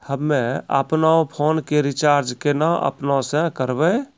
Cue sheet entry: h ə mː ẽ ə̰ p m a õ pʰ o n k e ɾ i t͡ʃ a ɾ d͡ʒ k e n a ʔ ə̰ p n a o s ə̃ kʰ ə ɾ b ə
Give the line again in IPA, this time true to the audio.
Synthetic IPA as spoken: h ə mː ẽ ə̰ p n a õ pʰ o n k e ɾ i t͡ʃ a ɾ d͡ʒ k e n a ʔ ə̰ p n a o s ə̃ k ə ɾ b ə

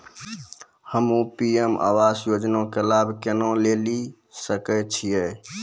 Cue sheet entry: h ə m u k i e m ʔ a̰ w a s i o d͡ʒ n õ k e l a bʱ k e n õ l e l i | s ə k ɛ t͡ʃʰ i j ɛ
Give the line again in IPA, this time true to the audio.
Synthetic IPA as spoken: h ə m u p i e m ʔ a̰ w a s j o d͡ʒ n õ k e l a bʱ k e n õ l e l i | s ə k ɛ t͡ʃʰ i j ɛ

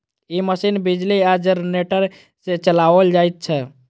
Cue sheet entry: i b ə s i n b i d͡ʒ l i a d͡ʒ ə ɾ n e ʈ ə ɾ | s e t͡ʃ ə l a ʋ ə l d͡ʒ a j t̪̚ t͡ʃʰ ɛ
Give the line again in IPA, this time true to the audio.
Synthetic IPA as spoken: i m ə s i n b i d͡ʒ l i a d͡ʒ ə ɾ n e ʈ ə ɾ | s e t͡ʃ ə l a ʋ ə l d͡ʒ a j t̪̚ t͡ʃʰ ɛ

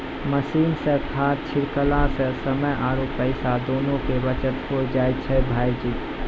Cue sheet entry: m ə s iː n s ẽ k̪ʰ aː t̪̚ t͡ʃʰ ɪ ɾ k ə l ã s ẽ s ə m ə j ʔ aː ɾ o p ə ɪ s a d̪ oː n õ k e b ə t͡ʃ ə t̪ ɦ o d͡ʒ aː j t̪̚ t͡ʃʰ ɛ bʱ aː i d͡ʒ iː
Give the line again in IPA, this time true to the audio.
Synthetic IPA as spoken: m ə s iː n s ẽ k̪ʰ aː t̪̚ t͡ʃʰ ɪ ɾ k ə l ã s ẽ s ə m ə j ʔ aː ɾ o p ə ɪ s a d̪ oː n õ k e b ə t͡ʃ ə t̪ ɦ o d͡ʒ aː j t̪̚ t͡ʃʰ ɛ bʱ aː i d͡ʒ iː

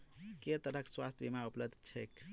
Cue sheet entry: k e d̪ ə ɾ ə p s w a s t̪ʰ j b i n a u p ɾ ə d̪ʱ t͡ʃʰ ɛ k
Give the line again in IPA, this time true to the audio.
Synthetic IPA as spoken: k e t̪ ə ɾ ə k s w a s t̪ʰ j b i m a u p l ə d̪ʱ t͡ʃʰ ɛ k

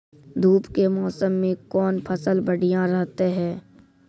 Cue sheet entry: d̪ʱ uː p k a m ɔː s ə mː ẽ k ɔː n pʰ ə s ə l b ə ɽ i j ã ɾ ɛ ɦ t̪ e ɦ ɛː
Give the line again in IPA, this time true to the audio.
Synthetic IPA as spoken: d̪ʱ uː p k e m ɔː s ə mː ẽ k ɔː n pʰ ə s ə l b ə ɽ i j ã ɾ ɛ ɦ t̪ e ɦ ɛː

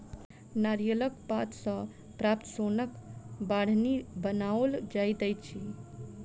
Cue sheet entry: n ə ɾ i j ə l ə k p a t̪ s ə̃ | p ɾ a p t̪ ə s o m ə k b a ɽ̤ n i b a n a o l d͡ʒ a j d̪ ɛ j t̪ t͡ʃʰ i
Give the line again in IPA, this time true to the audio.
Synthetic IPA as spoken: n a ɾ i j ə l ə k p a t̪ s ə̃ | p ɾ a p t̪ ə s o n ə k b a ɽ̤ n i b ə n a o l d͡ʒ a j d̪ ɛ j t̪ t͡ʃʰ i

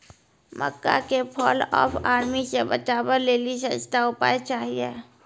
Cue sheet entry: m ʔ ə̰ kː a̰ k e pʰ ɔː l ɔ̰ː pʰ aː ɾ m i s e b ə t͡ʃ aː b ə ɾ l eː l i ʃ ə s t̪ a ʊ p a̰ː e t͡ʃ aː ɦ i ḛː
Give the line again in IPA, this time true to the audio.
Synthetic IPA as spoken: m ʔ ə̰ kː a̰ k e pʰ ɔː l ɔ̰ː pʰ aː ɾ m i s e b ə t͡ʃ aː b ə ɾ l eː l i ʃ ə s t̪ a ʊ p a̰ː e t͡ʃ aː ɦ i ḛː

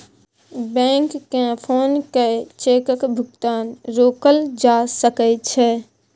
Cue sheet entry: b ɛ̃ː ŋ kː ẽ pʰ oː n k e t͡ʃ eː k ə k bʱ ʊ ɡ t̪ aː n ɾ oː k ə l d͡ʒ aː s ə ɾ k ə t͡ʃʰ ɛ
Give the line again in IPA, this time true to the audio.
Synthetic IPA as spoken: b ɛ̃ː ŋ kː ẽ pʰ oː n k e t͡ʃ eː k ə k bʱ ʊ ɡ t̪ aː n ɾ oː k ə l d͡ʒ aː s ə k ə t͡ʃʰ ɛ

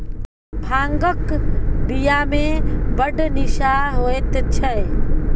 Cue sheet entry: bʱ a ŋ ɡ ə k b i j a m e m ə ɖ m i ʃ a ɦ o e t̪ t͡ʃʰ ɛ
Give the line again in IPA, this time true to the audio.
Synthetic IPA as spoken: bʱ a ŋ ɡ ə k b i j a m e b ə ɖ n i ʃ a ɦ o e t̪ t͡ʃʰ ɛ

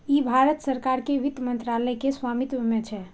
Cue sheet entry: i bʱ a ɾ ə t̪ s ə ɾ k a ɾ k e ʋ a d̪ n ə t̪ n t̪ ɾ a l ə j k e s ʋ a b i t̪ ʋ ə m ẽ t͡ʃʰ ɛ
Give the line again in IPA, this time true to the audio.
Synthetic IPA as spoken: i bʱ a ɾ ə t̪ s ə ɾ k a ɾ k e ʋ i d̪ m ə n t̪ ɾ a l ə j k e s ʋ a m i t̪ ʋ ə m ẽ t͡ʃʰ ɛ

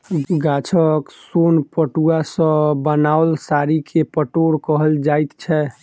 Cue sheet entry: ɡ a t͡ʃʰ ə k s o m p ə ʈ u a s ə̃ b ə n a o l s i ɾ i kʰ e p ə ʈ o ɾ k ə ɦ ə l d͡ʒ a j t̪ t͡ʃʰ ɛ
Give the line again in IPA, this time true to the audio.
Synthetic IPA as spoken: ɡ a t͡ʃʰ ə k s o n p ə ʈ u a s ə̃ b ə n a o l s a ɾ i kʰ e p ə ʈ o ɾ k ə ɦ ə l d͡ʒ a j t̪ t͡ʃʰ ɛ

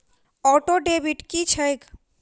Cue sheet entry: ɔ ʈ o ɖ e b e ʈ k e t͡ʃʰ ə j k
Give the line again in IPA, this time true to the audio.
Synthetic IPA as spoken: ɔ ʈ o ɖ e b i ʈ k i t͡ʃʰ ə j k

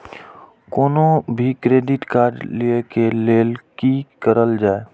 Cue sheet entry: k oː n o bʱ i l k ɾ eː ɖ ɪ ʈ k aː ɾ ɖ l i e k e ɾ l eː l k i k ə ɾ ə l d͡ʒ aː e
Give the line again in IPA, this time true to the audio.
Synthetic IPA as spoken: k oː n o bʱ i k ɾ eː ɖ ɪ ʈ k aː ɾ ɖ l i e k e l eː l k i k ə ɾ ə l d͡ʒ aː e

